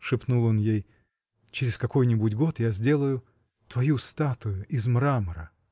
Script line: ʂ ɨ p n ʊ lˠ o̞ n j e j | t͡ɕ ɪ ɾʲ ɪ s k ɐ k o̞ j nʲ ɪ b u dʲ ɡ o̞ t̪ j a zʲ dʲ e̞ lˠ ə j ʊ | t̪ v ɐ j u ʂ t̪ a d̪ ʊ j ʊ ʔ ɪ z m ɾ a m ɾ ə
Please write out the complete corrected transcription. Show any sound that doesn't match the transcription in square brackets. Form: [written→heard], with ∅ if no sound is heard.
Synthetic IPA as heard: ʂ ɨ p n [ʊ→u] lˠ o̞ n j e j | t͡ɕ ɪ ɾʲ ɪ s k ɐ k o̞ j nʲ ɪ b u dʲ ɡ o̞ t̪ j a zʲ dʲ e̞ lˠ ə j ʊ | t̪ v ɐ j u [ʂ→s] t̪ a [d̪→t̪] ʊ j ʊ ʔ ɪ z m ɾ a m ɾ ə